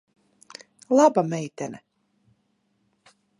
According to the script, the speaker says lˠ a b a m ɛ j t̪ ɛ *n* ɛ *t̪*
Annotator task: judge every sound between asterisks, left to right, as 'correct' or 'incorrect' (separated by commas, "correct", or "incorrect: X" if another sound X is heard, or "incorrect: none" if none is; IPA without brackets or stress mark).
correct, incorrect: none